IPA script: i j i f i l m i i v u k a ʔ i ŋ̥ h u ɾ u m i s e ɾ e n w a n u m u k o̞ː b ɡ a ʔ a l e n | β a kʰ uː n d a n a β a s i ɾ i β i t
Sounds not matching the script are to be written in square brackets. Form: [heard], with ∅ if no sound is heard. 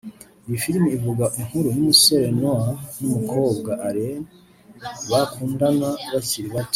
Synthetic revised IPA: i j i f i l m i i v u [ɡ] a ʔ i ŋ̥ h u ɾ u m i s e ɾ e n w a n u m u k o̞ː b ɡ a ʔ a [ɾ] e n | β a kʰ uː n d a n a β a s i ɾ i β [a] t